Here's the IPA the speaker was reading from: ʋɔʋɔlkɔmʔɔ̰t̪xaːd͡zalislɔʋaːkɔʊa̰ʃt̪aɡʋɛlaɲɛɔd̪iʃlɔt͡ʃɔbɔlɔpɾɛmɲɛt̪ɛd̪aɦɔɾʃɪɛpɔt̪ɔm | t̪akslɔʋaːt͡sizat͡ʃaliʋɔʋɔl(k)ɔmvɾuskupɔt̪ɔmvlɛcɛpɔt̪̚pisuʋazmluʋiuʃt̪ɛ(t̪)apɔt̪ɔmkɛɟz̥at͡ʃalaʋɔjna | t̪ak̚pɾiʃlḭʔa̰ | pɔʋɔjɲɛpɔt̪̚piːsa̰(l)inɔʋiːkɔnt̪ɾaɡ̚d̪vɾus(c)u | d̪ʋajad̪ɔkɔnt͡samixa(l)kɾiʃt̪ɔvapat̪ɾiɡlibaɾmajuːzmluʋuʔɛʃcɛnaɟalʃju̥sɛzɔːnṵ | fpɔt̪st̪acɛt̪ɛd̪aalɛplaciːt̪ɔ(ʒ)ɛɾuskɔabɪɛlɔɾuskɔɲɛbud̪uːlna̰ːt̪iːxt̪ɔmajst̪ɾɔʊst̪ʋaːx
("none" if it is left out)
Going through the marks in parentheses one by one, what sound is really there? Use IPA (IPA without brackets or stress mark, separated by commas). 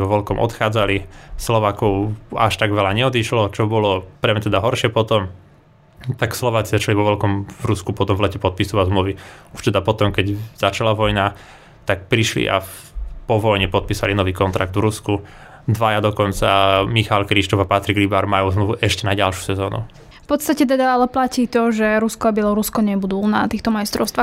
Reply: k, d̪, l, k, l, ʒ